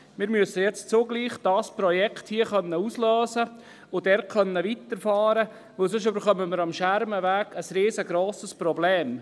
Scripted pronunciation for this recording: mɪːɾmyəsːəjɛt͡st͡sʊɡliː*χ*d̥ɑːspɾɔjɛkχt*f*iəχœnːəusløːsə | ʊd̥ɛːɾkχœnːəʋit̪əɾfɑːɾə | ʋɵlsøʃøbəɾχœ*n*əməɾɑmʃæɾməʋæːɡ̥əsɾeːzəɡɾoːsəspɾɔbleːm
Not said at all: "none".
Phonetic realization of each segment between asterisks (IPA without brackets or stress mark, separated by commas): χ, h, m